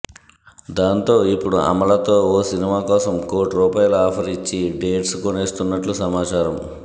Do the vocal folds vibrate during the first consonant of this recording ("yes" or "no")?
yes